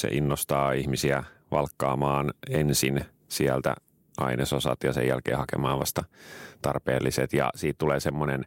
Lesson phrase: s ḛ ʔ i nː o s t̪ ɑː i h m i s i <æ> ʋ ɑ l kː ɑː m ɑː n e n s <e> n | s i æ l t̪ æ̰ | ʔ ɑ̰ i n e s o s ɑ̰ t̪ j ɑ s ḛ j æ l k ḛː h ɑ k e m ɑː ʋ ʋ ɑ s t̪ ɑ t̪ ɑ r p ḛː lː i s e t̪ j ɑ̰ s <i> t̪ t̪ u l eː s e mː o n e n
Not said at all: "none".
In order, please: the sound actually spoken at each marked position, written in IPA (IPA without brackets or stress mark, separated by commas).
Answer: æ, i, iː